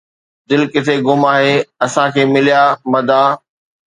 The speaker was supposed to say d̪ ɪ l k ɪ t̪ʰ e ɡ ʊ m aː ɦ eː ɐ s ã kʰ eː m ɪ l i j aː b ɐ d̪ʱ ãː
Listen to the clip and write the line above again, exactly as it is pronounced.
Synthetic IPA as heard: d̪ ɪ l k ɪ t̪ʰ e ɡ ʊ m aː ɦ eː ɐ s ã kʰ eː m ɪ l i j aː m ɐ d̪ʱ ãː